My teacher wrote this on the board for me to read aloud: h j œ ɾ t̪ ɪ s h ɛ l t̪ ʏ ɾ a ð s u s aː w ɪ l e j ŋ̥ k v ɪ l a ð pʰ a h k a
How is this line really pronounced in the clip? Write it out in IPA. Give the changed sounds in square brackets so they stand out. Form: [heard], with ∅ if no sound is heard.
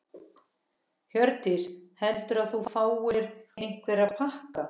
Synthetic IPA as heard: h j œ ɾ t̪ ɪ s h ɛ l t̪ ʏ ɾ a ð [θ] u [f] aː w ɪ [ɾ] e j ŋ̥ k v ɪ [ɾ] a ð pʰ a h k a

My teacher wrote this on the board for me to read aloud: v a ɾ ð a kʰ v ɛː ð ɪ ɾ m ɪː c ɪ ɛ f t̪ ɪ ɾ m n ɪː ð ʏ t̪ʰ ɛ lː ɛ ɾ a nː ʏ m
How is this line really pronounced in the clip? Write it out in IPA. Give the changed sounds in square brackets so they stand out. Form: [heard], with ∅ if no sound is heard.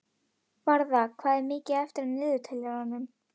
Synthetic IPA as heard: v a ɾ ð a kʰ v [aː] ð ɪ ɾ m ɪː c ɪ ɛ f t̪ ɪ ɾ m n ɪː ð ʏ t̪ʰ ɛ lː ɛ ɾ a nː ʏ m

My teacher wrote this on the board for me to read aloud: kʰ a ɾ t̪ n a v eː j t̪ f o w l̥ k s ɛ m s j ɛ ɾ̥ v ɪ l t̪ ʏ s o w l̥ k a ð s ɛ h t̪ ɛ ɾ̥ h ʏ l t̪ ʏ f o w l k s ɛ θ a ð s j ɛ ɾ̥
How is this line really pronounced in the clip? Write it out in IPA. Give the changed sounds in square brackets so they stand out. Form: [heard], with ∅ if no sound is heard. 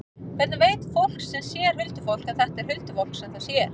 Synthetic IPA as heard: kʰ [ɛ] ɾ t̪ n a v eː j t̪ f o w l̥ k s ɛ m s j ɛ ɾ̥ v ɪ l t̪ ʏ [f] o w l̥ k a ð [θ] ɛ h t̪ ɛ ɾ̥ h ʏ l t̪ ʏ f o w l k s ɛ θ a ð s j ɛ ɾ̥

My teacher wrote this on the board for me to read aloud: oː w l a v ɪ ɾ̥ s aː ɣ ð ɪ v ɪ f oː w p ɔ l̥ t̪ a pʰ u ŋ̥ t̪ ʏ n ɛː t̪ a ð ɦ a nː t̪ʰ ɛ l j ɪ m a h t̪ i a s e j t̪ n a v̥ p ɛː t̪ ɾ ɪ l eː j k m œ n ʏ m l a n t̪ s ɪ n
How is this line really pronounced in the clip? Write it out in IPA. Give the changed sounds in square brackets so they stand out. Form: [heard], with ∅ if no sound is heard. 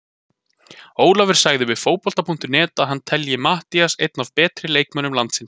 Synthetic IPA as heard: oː w l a v ɪ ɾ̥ s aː ɣ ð ɪ v ɪ f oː w p ɔ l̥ t̪ a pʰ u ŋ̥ t̪ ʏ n ɛː t̪ a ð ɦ a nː t̪ʰ ɛ l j ɪ m a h t̪ i a s e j t̪ n a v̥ p ɛː t̪ ɾ ɪ l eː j k m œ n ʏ m l a n t̪ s ɪ n

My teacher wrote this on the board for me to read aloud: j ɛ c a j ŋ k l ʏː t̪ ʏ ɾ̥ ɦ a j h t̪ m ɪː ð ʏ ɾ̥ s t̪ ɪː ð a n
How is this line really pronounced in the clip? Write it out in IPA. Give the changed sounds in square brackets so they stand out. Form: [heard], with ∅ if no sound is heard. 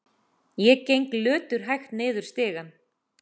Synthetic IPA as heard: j ɛ c [e] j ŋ k l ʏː t̪ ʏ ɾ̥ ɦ a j [x] t̪ [n] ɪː ð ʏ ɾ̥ s t̪ ɪː [ɣ] a n

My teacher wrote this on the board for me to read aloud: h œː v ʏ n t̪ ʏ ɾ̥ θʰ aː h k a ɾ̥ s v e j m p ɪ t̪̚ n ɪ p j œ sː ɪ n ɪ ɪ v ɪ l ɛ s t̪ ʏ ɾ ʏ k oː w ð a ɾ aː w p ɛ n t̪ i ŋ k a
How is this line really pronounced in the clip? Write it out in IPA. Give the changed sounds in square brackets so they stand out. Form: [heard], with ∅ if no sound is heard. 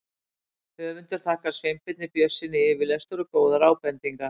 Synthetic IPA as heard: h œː v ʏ n t̪ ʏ ɾ̥ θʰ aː h k a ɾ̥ s v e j m p ɪ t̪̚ n ɪ p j œ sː ɪ n ɪ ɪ v ɪ l ɛ s t̪ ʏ ɾ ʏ k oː w ð a ɾ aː w p ɛ n t̪ i ŋ k a

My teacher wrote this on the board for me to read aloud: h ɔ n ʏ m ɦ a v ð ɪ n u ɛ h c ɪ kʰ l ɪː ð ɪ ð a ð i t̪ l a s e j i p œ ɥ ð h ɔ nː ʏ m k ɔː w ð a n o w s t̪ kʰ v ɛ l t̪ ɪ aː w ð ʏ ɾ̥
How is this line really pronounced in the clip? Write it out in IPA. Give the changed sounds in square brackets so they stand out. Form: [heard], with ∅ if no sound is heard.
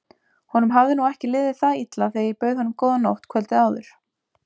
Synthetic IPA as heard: h ɔ n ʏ m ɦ a v ð ɪ n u ɛ h c ɪ [∅] l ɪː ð ɪ [θ] a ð i t̪ l a [θ] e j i p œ ɥ ð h ɔ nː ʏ m k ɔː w ð a n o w [h] t̪ kʰ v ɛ l t̪ ɪ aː w ð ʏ ɾ̥

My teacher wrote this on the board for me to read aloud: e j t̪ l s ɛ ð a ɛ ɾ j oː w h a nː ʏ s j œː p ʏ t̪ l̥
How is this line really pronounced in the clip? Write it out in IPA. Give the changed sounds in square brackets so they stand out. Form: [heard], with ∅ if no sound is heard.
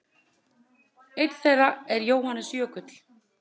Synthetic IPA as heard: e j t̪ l [θ] ɛ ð a ɛ ɾ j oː w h a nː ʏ s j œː [k] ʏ t̪ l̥

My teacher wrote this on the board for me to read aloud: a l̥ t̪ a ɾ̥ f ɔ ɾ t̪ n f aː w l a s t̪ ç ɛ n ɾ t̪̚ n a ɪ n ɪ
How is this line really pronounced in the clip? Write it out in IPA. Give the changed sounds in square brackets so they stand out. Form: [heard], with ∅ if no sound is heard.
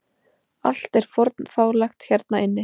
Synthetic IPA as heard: a l̥ t̪ [ɛ] ɾ̥ f ɔ ɾ t̪ n f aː w l a [x] t̪ ç ɛ [∅] ɾ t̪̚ n a ɪ [nː] ɪ

